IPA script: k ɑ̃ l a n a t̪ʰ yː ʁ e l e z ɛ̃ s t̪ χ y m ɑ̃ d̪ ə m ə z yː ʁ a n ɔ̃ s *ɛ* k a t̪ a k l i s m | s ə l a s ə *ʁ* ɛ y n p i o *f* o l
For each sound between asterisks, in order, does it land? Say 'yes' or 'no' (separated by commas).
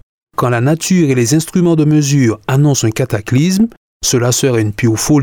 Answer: no, yes, yes